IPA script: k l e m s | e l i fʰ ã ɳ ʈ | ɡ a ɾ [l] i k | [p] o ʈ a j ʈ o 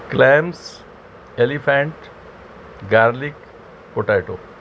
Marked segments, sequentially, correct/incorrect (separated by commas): correct, correct